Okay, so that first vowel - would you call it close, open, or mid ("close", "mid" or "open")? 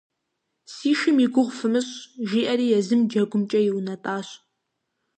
close